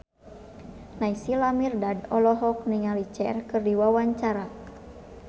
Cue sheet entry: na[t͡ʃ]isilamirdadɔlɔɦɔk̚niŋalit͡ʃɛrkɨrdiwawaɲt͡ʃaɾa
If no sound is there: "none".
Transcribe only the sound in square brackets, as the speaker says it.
none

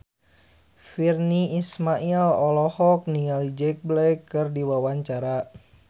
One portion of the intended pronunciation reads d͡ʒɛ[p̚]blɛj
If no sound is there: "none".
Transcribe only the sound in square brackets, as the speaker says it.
k̚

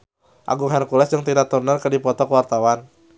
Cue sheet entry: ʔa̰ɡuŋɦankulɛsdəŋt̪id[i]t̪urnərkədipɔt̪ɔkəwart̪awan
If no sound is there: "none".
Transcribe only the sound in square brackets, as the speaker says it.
a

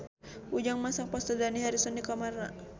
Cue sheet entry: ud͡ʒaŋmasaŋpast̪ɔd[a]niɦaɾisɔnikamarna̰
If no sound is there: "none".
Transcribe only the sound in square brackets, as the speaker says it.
a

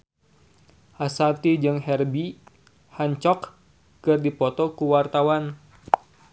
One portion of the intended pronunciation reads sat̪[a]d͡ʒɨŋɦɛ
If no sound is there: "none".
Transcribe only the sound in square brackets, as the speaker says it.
i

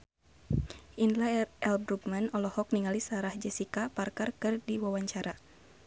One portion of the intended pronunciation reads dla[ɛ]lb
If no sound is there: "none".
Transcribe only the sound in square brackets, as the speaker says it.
ɛ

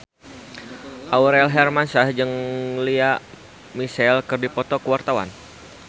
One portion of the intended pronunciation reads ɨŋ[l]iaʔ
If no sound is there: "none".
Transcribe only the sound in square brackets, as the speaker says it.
l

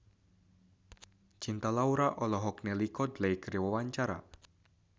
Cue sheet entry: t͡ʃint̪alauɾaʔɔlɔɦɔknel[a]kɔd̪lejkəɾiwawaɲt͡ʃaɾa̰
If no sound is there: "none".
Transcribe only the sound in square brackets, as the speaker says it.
i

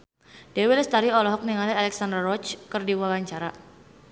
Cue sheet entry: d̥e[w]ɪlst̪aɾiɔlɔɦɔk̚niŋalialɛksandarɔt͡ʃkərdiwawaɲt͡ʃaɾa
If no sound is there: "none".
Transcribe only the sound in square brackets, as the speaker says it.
w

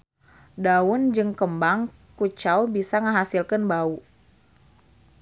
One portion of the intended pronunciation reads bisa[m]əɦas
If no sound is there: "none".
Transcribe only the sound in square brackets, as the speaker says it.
ŋ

